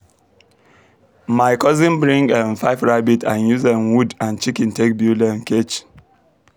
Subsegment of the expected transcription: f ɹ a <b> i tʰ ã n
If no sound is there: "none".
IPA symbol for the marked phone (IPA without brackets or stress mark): b